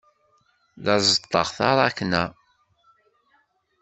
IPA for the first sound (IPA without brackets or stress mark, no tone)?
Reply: ð